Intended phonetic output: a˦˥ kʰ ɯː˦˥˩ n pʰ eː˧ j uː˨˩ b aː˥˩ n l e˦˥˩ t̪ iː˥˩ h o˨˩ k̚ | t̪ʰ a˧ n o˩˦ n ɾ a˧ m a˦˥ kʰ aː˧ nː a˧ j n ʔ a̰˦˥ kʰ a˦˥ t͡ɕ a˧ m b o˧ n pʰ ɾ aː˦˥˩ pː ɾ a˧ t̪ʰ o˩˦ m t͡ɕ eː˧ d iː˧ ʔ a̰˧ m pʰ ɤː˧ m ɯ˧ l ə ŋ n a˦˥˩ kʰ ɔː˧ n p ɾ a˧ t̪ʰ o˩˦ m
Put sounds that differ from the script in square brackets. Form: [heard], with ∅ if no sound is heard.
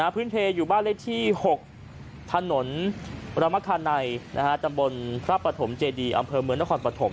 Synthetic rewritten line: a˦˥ [pʰ] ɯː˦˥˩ n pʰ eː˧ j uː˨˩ b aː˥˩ n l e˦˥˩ [t̪ʰ] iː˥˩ h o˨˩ k̚ | t̪ʰ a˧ n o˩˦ n ɾ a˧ m a˦˥ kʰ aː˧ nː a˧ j n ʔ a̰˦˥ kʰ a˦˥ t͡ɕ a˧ m b o˧ n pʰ ɾ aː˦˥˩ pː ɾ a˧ t̪ʰ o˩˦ m t͡ɕ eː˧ d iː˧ ʔ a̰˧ m pʰ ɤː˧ m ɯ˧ [∅] ə ŋ n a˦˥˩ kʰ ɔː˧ n p ɾ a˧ t̪ʰ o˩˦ m